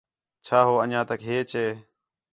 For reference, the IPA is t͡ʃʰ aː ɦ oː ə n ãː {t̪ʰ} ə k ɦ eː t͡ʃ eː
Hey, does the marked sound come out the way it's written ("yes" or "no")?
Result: no